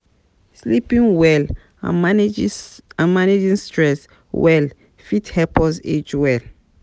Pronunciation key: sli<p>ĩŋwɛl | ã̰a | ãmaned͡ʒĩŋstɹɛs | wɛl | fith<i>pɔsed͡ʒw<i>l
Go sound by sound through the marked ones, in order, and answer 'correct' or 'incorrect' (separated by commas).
correct, incorrect, incorrect